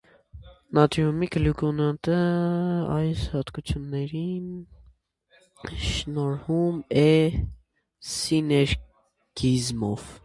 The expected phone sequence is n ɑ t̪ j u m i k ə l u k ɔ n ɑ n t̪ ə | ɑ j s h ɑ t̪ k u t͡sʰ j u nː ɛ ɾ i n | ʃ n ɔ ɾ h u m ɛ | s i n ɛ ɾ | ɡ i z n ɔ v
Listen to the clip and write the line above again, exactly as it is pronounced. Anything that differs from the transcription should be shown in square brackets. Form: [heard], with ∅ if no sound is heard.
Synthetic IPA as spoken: n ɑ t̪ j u m i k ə l u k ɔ n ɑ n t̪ ə | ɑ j s h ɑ t̪ k u t͡sʰ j u nː ɛ ɾ i n | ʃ n ɔ ɾ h u m ɛ | s i n ɛ ɾ | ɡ i z [m] ɔ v